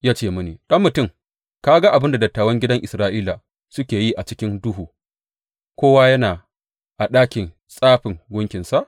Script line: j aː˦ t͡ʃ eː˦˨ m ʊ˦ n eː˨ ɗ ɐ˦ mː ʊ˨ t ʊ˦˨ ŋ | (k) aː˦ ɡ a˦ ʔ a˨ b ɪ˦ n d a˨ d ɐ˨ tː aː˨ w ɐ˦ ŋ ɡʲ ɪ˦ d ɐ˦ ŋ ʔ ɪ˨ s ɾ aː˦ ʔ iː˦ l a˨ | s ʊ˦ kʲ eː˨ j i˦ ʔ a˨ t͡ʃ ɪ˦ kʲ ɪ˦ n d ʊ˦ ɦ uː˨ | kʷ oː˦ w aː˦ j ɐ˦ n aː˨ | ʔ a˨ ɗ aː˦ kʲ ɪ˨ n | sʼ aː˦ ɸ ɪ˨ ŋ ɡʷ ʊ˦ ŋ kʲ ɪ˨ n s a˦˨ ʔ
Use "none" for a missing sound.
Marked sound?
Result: k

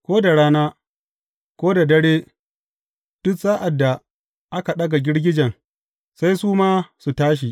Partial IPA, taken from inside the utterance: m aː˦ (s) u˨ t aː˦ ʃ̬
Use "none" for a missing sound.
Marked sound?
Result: s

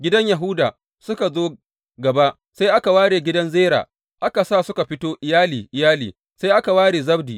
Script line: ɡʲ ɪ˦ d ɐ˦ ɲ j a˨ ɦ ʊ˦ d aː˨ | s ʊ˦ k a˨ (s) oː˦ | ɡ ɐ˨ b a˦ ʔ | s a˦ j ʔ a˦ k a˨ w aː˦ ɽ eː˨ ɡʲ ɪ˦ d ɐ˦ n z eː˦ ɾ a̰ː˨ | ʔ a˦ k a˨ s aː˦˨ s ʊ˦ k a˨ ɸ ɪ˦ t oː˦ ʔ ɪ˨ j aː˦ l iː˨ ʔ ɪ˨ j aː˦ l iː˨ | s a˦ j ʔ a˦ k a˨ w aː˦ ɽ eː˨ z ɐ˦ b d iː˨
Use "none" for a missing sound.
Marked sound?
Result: z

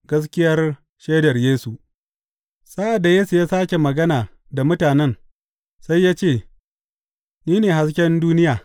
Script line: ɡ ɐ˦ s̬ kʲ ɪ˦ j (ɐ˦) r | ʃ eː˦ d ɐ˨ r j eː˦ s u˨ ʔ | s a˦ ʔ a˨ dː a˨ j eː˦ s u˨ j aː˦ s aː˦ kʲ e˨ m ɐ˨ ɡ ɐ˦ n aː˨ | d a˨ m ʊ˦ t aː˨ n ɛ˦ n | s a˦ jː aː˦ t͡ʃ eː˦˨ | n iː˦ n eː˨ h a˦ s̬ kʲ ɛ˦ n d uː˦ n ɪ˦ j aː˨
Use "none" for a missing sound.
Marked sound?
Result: ɐ˦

